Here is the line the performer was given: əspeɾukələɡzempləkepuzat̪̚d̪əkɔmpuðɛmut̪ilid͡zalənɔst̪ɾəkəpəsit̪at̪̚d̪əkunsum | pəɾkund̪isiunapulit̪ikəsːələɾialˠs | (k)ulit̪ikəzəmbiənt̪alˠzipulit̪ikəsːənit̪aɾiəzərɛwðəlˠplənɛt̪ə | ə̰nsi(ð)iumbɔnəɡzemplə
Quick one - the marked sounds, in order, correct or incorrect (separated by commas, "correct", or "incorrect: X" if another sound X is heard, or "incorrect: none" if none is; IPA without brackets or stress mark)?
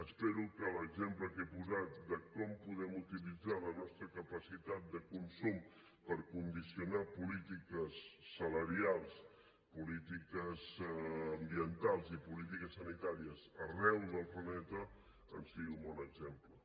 incorrect: p, incorrect: ɣ